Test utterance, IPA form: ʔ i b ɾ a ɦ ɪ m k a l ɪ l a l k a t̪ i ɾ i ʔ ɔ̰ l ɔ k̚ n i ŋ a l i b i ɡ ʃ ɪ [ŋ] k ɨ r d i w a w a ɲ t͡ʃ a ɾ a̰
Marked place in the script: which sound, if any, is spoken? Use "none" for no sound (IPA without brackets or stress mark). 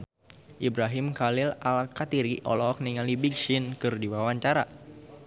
n